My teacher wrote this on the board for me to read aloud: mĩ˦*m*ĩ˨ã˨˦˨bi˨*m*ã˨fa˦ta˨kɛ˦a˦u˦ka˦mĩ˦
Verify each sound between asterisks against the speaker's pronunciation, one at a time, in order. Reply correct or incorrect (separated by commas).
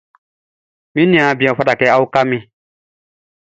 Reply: incorrect, incorrect